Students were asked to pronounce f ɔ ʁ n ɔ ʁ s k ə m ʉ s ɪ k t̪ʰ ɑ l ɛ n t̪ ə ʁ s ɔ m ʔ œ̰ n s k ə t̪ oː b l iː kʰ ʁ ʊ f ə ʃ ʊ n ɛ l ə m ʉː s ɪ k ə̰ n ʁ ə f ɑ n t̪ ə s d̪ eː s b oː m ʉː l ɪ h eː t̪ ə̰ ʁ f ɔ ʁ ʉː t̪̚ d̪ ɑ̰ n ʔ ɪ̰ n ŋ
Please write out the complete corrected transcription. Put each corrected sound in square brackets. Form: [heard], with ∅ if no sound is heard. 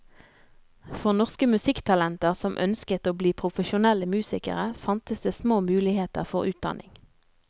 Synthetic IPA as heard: f ɔ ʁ n ɔ ʁ s k ə m ʉ s ɪ k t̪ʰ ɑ l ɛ n t̪ ə ʁ s ɔ m ʔ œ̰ n s k ə t̪ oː b l iː [pʰ] ʁ ʊ f ə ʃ ʊ n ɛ l ə m ʉː s ɪ k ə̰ [∅] ʁ ə f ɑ n t̪ ə s d̪ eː s [m] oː m ʉː l ɪ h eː t̪ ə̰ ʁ f ɔ ʁ ʉː t̪̚ d̪ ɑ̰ n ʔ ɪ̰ [∅] ŋ